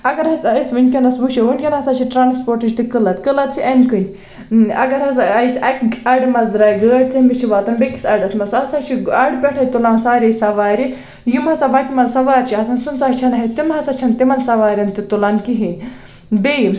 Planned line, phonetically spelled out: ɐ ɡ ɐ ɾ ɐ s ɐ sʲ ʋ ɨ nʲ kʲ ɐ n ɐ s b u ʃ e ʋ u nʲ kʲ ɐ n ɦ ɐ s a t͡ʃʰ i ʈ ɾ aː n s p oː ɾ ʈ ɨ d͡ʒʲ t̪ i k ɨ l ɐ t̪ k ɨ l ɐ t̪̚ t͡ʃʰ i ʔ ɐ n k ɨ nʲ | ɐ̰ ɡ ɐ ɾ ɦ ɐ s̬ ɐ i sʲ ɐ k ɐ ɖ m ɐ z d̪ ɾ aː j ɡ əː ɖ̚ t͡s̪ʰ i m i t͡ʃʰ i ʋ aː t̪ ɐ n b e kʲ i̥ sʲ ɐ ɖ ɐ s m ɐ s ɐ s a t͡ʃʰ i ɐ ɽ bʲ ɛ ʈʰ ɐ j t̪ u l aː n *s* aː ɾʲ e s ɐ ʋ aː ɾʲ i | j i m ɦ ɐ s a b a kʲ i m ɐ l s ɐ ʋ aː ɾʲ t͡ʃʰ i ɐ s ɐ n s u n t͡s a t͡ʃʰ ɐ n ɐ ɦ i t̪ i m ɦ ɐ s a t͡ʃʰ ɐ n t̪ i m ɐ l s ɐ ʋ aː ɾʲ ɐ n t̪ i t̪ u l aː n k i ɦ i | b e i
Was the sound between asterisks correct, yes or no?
yes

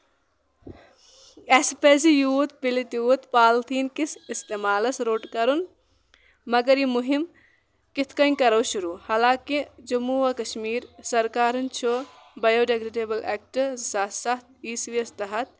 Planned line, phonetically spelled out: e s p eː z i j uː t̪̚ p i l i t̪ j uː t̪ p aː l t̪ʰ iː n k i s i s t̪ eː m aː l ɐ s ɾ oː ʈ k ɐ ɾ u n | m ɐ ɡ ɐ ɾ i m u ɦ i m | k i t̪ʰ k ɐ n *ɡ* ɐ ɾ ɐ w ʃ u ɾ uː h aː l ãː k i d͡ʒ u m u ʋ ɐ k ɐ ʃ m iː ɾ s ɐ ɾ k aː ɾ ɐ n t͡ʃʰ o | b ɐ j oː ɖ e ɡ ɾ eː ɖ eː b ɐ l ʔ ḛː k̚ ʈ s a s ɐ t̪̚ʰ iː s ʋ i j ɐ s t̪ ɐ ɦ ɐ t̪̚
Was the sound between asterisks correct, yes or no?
no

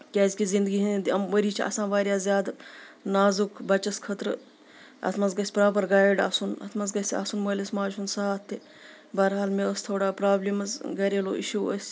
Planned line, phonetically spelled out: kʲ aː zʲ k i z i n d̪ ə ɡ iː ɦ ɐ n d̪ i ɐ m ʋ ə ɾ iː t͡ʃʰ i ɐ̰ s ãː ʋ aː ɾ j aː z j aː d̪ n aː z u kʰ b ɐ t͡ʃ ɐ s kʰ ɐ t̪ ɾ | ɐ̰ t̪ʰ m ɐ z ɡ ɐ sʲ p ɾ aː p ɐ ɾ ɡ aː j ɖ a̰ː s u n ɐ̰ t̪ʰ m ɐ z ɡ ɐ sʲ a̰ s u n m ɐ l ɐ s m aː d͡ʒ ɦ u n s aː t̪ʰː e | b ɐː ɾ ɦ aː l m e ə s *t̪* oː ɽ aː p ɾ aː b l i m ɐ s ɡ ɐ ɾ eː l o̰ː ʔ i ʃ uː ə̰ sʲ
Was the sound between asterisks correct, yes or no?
no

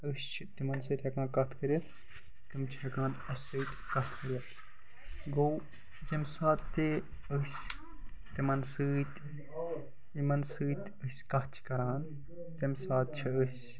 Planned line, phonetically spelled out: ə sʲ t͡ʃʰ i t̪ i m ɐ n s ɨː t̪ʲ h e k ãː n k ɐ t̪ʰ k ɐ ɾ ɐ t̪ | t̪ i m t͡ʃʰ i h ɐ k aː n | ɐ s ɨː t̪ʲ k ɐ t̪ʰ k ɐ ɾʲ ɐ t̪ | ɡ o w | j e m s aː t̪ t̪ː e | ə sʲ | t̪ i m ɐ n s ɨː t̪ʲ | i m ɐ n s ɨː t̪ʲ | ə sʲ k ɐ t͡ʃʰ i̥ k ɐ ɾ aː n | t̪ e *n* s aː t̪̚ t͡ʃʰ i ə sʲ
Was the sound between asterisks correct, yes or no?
no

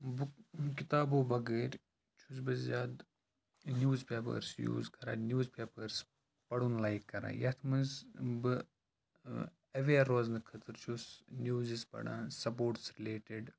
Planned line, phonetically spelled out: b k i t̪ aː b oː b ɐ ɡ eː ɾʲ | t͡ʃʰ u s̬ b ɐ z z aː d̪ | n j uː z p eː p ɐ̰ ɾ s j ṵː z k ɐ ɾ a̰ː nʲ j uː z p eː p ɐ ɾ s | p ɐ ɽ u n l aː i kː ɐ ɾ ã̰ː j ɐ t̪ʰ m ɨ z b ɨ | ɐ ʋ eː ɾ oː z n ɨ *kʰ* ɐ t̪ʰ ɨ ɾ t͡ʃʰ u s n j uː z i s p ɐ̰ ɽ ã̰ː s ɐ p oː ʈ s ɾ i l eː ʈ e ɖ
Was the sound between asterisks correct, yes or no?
yes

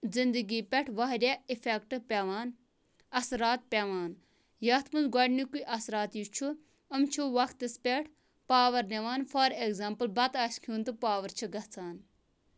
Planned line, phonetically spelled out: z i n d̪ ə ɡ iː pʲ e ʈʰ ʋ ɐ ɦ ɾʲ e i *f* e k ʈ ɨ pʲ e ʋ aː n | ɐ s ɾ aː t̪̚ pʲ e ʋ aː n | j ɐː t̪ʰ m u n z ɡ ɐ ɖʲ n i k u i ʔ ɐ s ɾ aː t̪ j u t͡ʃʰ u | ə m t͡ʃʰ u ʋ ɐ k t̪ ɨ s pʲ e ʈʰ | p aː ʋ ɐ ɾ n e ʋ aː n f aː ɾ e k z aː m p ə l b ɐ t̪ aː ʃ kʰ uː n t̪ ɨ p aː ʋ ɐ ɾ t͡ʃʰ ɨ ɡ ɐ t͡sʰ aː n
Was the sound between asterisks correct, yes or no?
yes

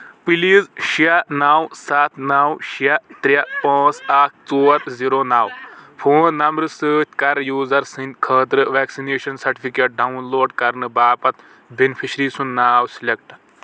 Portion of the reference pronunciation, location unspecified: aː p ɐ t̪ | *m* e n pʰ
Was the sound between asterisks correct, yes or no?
no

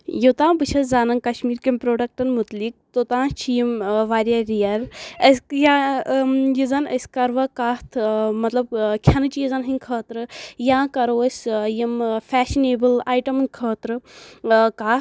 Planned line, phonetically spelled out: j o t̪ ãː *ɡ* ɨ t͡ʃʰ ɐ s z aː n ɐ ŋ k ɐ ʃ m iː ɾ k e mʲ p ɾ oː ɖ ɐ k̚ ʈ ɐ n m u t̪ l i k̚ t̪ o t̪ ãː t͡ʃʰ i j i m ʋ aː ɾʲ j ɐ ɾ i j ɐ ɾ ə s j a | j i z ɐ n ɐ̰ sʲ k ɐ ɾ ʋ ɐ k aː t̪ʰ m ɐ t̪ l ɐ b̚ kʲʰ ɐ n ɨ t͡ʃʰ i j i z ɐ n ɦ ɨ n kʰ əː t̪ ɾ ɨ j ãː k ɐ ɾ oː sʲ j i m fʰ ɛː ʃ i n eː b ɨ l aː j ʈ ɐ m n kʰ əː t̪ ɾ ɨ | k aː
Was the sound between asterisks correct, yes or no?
no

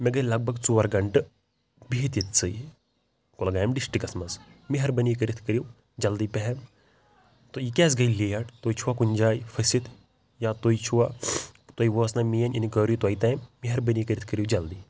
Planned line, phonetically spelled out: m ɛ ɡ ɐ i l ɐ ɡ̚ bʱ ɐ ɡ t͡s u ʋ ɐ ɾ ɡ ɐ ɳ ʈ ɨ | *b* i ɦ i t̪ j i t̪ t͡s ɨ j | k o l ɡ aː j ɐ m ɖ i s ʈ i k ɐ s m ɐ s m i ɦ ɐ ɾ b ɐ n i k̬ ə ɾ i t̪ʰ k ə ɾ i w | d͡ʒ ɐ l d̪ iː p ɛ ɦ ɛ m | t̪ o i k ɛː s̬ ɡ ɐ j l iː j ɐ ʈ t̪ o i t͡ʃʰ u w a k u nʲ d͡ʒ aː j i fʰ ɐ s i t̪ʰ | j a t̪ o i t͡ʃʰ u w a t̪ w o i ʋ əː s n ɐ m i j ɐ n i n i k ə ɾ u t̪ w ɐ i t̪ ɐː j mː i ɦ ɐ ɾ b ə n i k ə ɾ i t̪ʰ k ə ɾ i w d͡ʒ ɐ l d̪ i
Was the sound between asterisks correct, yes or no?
yes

